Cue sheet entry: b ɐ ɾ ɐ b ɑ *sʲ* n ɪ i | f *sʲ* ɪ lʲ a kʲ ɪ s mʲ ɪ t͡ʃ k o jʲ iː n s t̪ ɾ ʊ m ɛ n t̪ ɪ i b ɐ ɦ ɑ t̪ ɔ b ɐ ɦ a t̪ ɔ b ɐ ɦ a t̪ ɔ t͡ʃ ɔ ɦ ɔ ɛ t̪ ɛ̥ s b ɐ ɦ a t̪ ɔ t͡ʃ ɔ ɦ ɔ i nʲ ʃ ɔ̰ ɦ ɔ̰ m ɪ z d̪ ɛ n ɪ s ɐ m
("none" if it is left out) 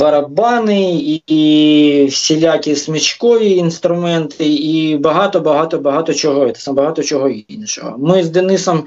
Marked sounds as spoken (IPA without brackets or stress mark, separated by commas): none, sʲ